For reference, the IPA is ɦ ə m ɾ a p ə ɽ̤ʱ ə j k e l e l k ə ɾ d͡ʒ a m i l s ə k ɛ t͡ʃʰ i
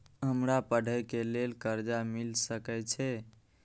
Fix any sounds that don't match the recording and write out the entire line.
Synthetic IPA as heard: ɦ ə m ɾ a p ə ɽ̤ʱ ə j k e l e l k ə ɾ d͡ʒ a m i l s ə k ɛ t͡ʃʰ ɛ